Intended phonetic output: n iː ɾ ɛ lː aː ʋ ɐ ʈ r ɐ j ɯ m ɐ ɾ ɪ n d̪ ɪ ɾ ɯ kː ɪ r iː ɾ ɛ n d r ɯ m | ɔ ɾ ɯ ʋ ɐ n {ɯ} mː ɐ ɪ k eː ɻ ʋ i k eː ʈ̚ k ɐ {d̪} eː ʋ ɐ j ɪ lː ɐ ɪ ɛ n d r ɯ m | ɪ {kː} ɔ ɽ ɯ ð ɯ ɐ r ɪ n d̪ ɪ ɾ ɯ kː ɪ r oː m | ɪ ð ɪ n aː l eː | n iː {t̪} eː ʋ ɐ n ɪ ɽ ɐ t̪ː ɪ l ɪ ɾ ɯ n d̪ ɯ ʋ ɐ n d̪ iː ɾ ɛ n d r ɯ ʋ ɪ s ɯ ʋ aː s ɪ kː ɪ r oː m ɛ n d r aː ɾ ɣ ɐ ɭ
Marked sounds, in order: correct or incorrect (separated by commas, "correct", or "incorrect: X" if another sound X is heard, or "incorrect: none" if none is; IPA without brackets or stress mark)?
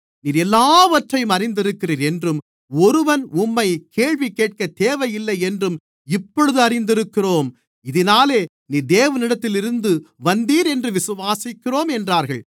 incorrect: ʊ, incorrect: t̪, incorrect: pː, incorrect: d̪